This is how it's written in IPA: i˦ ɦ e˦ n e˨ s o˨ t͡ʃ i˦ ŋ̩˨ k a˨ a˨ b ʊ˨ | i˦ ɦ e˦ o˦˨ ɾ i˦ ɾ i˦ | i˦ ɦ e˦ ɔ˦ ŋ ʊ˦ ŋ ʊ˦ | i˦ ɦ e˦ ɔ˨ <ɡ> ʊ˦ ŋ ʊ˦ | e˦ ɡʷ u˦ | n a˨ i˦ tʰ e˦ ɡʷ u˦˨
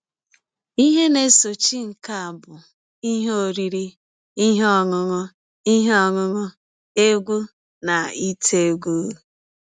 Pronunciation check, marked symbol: incorrect: ŋ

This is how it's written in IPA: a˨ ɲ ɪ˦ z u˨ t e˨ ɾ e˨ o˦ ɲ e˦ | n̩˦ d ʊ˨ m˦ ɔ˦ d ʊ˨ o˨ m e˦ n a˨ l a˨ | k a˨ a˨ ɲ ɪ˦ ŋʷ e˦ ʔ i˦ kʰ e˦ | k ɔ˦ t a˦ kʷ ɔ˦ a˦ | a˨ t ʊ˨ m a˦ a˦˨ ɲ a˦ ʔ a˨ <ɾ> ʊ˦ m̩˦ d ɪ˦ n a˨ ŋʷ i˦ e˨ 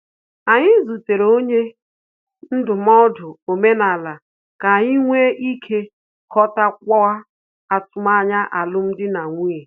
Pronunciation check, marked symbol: incorrect: l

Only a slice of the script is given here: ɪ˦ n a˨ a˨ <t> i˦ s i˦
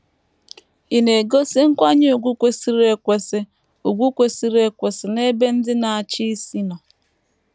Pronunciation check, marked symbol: incorrect: t͡ʃ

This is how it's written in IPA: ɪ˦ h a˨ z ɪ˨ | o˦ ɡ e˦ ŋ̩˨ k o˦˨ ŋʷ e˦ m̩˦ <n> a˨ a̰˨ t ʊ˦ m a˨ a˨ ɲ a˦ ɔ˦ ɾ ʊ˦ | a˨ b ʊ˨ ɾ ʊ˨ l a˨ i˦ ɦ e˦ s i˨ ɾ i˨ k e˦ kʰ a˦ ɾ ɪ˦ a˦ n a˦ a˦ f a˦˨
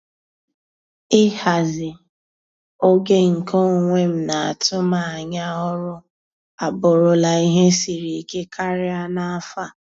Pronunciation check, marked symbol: correct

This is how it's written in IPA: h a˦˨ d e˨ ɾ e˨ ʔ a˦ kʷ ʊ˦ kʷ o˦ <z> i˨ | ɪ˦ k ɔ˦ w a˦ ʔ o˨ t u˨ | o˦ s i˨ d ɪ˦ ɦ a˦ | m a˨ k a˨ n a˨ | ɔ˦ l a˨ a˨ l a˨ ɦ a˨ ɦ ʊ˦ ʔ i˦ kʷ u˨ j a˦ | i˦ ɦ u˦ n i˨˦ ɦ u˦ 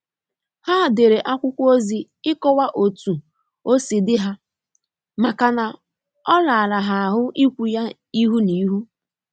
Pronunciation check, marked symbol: correct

